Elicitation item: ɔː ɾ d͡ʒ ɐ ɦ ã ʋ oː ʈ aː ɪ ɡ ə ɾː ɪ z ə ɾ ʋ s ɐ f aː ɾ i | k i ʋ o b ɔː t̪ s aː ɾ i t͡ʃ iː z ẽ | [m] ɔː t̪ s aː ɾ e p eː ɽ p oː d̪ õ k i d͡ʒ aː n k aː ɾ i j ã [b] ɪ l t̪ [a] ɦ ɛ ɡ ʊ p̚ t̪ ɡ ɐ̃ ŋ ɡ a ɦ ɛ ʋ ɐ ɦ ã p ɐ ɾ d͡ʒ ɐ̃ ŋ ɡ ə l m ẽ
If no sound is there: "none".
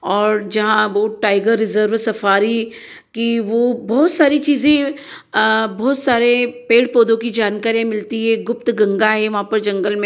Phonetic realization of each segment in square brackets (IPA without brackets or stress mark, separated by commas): b, m, i